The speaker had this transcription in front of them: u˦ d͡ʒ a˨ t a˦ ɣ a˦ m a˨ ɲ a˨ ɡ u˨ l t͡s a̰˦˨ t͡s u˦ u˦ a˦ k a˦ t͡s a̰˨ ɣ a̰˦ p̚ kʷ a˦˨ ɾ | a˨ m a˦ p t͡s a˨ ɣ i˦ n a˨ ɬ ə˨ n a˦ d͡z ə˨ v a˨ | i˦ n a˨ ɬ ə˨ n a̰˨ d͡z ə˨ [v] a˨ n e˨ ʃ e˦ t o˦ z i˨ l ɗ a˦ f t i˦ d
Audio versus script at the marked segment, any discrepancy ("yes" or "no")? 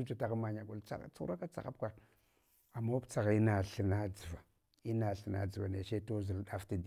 no